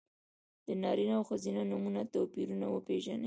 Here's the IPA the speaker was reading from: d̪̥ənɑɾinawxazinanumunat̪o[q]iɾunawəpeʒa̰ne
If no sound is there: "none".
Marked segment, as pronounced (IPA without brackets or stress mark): p